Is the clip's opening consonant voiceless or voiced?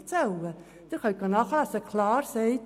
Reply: voiceless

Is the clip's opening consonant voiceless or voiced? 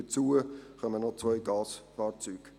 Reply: voiceless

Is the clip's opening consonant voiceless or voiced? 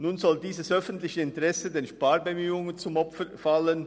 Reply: voiced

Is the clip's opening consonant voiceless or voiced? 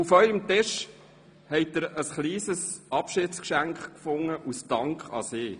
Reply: voiceless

